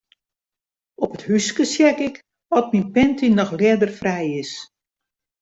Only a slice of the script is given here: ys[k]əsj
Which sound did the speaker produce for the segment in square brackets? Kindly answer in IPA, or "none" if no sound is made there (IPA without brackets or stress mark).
k